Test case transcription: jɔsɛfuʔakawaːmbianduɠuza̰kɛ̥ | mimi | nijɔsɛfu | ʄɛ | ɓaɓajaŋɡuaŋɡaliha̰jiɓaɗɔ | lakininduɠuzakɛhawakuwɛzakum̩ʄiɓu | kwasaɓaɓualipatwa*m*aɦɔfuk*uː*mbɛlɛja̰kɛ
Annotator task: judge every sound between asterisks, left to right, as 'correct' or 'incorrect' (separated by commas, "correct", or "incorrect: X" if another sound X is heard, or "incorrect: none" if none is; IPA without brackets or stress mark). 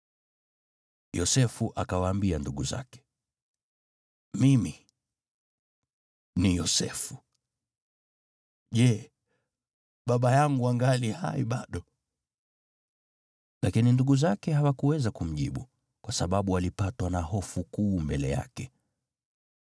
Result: incorrect: n, correct